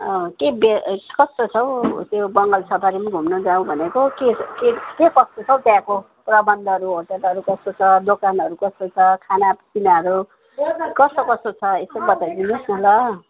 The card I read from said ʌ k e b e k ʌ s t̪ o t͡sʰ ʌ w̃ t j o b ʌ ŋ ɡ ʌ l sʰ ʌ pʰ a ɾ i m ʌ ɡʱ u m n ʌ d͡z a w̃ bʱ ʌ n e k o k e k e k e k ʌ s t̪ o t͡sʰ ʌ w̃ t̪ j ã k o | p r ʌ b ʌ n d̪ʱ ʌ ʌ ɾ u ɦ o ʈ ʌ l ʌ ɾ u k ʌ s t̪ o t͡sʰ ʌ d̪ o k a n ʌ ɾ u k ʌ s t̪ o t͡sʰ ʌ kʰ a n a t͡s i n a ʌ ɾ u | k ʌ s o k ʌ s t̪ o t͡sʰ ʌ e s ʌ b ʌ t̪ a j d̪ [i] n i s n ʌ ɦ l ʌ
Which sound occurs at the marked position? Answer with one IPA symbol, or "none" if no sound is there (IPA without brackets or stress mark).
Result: i